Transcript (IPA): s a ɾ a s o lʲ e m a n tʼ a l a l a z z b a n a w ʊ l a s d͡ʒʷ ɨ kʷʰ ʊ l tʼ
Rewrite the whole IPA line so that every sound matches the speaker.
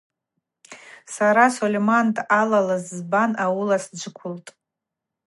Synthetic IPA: s a ɾ a s o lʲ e m a n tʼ a l a l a z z b a n a w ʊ l a s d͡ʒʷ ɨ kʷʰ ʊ l tʼ